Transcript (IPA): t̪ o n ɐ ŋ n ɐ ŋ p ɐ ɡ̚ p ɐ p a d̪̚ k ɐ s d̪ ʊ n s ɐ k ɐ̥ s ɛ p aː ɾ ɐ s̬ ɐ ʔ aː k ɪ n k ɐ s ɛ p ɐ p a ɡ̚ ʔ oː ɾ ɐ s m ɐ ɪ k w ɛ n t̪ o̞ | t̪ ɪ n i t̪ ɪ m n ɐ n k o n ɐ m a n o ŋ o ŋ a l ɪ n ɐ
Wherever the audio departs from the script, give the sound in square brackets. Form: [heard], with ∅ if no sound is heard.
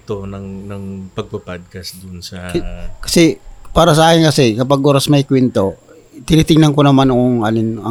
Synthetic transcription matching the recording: t̪ o n ɐ ŋ n ɐ ŋ p ɐ ɡ̚ p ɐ p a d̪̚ k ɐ s d̪ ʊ n s ɐ k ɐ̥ s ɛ p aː ɾ ɐ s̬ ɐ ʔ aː k ɪ n k ɐ s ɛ [k] ɐ p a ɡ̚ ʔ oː ɾ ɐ s m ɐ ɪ k w ɛ n t̪ o̞ | t̪ ɪ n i t̪ ɪ [ŋ] n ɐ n k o n ɐ m a n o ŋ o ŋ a l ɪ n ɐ